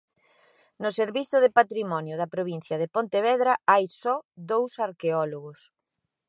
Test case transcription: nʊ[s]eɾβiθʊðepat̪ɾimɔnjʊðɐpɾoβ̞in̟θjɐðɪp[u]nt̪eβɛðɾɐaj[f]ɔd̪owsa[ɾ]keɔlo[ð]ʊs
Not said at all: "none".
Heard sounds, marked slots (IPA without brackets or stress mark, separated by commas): s, o, s, ɾ, ɣ